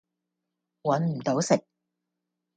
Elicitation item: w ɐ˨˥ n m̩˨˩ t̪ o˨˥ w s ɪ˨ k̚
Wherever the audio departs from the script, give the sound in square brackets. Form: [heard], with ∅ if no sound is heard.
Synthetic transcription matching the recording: w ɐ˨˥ n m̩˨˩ t̪ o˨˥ w s ɪ˨ k̚